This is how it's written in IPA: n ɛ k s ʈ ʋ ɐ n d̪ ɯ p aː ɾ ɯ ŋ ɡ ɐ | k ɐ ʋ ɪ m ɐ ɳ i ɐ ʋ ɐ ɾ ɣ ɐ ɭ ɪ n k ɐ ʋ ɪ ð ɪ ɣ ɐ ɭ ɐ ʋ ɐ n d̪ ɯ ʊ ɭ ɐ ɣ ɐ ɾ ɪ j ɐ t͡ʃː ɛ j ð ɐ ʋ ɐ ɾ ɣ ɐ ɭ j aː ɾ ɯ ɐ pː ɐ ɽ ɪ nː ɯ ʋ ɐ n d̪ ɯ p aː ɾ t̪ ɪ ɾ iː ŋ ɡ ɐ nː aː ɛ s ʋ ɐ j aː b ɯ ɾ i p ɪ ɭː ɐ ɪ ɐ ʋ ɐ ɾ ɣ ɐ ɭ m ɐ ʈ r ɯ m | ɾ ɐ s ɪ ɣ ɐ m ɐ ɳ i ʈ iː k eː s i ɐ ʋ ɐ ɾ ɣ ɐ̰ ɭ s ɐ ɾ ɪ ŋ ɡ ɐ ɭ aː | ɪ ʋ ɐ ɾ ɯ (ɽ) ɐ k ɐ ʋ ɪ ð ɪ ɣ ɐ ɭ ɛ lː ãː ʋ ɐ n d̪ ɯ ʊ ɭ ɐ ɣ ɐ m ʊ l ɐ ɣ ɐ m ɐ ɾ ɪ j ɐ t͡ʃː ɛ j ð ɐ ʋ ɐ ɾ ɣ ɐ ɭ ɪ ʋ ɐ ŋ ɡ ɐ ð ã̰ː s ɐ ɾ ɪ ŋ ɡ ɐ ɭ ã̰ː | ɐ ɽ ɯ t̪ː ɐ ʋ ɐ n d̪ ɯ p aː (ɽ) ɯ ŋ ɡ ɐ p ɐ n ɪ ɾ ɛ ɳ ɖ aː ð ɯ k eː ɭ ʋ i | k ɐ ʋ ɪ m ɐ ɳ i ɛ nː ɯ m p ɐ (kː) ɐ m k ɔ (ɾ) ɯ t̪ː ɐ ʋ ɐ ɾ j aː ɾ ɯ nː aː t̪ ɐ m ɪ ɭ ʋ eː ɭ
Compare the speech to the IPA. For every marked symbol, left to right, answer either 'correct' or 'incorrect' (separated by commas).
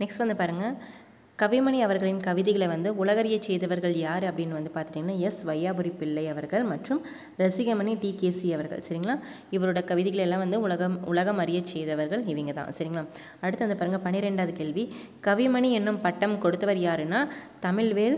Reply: correct, incorrect, incorrect, incorrect